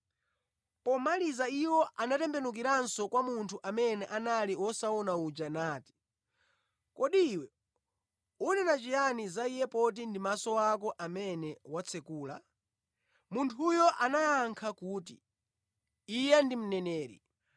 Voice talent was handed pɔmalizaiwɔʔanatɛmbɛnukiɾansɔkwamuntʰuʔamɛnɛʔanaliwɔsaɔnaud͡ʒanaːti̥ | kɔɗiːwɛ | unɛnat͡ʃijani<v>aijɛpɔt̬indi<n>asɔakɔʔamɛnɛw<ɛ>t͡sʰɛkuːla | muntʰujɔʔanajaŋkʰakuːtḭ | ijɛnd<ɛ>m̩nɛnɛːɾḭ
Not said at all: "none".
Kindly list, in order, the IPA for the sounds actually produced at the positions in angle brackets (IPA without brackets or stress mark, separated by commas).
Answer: z, m, a, i